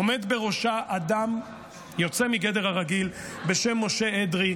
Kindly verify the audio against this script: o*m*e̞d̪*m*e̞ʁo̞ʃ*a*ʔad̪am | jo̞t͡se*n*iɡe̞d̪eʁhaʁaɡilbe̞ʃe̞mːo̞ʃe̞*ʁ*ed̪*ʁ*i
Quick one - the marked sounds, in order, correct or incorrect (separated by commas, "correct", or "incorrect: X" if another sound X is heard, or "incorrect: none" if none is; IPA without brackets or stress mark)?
correct, incorrect: b, correct, incorrect: m, incorrect: none, correct